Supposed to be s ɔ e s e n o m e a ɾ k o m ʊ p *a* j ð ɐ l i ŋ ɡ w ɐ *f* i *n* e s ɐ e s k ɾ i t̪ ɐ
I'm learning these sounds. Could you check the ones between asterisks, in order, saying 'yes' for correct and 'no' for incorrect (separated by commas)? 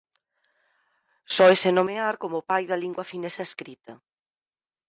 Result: yes, yes, yes